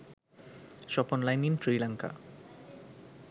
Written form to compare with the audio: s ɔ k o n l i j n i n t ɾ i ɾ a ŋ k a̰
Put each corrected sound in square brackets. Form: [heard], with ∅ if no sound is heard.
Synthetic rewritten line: [ʃ] ɔ [p] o n l [a] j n i n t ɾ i [l] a ŋ k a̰

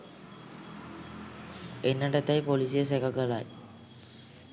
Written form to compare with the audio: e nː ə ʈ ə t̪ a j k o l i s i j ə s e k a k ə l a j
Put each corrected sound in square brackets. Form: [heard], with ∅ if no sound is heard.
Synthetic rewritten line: e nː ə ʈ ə t̪ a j [p] o l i s i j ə s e k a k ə l a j

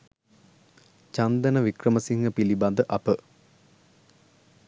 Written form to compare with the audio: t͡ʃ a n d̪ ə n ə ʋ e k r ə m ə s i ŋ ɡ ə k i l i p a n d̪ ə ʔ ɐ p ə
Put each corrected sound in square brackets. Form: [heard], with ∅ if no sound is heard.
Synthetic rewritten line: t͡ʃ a n d̪ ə n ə ʋ [i] k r ə m ə s i ŋ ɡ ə [p] i l i [b] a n d̪ ə ʔ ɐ p ə

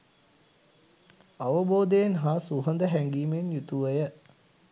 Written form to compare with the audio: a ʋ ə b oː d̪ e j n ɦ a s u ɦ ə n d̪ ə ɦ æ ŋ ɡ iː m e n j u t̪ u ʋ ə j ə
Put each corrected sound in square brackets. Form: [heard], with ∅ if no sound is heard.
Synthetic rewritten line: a ʋ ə b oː d̪ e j n ɦ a s u ɦ ə n d̪ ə ɦ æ ŋ ɡ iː m e n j u t̪ u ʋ ə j ə

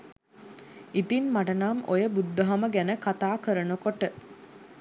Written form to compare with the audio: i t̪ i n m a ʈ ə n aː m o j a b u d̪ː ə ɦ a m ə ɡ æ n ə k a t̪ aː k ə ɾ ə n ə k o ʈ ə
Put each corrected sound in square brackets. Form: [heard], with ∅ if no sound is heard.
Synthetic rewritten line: i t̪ i n m a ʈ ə n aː m o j [ə] b u d̪ː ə ɦ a m ə ɡ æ n ə k a t̪ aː k ə ɾ ə n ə k o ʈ ə

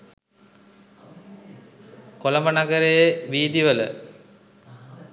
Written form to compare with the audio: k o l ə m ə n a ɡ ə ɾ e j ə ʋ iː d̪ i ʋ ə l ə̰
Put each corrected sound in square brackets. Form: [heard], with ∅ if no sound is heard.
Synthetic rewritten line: k o l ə m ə n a ɡ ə ɾ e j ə ʋ iː d̪ i ʋ ə l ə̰

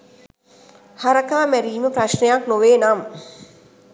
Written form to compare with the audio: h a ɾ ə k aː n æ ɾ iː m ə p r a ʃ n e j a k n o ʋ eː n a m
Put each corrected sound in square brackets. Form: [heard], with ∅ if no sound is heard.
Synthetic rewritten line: h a ɾ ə k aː [m] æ ɾ iː m ə p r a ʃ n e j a k n o ʋ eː n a m

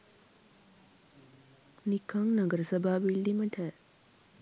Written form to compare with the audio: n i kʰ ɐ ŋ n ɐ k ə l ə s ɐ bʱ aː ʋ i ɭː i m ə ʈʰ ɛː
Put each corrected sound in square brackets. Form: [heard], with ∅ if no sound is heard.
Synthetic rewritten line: n i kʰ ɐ ŋ n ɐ [ɡ] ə [ɾ] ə s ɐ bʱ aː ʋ i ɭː i m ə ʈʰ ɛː

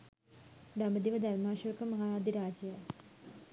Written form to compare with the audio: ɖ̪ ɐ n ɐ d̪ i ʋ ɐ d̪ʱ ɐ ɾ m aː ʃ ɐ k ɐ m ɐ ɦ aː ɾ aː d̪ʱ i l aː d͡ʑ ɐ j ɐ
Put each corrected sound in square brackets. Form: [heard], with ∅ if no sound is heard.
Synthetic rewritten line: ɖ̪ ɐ [m] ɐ d̪ i ʋ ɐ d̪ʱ ɐ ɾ m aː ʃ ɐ k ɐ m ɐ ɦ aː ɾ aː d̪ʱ i [ɾ] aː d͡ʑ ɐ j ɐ

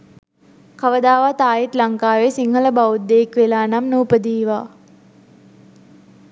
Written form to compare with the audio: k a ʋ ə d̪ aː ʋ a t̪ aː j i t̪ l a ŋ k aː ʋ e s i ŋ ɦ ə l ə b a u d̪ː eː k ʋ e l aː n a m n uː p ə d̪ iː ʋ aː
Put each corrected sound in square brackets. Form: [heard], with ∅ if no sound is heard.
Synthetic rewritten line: k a ʋ ə d̪ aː ʋ a t̪ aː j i t̪ l a ŋ k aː ʋ e s i ŋ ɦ ə l ə b a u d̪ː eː k ʋ e l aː n a m n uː p ə d̪ iː ʋ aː

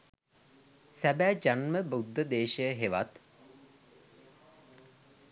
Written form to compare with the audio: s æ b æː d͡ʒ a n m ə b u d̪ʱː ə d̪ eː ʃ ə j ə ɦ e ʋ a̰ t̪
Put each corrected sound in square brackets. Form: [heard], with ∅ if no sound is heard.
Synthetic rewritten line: s æ b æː d͡ʒ a n m ə b u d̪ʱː ə d̪ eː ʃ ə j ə ɦ e ʋ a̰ t̪

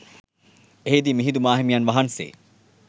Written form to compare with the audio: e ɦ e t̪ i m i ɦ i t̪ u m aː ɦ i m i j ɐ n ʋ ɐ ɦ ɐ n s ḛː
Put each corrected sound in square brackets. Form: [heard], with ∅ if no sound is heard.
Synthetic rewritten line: e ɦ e [d̪] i m i ɦ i [d̪] u m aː ɦ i m i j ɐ n ʋ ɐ ɦ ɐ n s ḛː

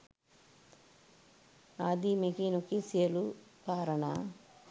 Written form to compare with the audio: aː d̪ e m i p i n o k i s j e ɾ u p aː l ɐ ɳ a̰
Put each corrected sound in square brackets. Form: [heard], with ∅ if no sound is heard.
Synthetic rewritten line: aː d̪ [i] m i [k] i n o k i s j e [l] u p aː [ɾ] ɐ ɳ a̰

